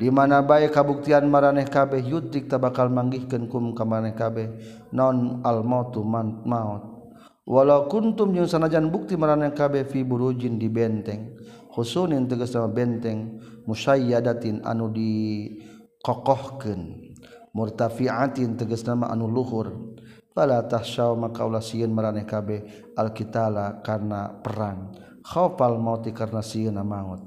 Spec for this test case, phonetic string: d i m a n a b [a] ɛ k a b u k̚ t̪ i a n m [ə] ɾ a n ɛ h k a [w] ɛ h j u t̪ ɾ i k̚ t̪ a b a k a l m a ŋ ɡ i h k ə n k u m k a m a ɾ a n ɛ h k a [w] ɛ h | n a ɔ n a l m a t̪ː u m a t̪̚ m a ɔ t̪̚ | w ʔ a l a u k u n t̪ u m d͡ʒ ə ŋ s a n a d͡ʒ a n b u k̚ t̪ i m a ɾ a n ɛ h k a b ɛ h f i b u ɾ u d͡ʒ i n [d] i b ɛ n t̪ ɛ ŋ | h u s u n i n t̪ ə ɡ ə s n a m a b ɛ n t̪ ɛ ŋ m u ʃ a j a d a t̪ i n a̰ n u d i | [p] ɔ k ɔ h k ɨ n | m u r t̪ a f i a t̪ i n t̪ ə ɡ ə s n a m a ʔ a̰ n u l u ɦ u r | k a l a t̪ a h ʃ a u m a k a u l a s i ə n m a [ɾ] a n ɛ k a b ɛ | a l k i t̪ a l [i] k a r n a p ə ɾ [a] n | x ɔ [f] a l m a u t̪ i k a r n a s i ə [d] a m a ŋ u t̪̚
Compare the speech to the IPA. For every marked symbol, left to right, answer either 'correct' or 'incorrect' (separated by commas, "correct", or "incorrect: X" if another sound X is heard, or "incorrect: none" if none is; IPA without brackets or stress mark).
correct, incorrect: a, incorrect: b, incorrect: b, correct, incorrect: k, correct, incorrect: a, correct, correct, incorrect: n